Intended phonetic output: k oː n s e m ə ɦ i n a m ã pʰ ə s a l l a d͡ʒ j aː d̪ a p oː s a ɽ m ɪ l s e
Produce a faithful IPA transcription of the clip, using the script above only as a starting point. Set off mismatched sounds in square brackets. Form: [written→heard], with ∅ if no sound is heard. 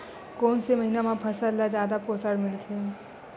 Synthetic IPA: k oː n s e m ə ɦ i n a m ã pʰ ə s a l l a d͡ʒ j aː d̪ a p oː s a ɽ m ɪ l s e